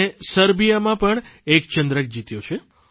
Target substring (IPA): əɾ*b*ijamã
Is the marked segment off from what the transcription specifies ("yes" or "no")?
no